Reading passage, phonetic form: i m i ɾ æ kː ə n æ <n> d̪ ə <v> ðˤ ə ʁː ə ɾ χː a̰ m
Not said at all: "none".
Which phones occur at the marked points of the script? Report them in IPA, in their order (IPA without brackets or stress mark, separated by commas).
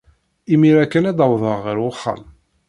none, w